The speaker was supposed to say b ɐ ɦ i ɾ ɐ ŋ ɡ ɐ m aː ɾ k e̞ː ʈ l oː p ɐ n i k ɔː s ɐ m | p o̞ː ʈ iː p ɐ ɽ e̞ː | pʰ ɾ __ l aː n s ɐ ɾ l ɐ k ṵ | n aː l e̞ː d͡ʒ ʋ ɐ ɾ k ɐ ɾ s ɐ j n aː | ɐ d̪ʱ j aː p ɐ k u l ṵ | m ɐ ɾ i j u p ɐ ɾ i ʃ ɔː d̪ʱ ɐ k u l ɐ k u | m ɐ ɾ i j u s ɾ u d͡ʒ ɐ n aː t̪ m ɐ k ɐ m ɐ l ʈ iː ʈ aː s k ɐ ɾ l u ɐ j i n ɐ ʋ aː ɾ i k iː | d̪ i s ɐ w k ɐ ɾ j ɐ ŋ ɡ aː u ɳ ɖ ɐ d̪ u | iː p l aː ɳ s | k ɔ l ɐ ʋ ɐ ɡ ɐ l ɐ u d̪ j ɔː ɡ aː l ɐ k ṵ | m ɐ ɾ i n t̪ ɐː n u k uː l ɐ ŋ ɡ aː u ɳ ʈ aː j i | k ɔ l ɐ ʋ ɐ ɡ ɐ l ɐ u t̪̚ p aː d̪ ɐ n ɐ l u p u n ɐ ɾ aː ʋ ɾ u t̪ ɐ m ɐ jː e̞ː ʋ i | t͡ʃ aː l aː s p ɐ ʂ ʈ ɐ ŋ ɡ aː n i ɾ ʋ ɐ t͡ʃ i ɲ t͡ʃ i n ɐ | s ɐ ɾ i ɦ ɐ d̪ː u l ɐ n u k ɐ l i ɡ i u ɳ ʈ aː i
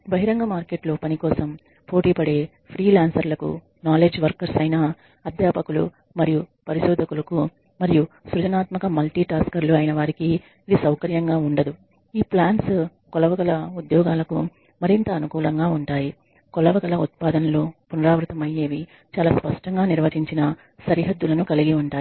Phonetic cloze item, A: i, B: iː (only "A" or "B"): B